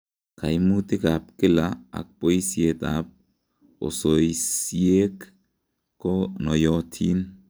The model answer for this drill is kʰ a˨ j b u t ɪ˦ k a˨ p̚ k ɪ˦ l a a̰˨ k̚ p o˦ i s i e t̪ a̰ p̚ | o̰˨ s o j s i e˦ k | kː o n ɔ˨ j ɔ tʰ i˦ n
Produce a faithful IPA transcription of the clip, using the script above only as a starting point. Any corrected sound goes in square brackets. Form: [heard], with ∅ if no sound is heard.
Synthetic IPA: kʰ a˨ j [m] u t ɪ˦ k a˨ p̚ k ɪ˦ l a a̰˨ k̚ p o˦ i s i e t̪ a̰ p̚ | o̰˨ s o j s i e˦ k | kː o n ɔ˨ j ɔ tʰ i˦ n